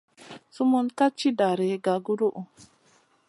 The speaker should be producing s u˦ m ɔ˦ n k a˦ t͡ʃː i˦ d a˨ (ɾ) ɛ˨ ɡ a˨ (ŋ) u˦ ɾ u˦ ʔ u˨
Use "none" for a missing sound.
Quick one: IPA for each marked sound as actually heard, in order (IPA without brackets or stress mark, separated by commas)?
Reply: ɾ, ɡ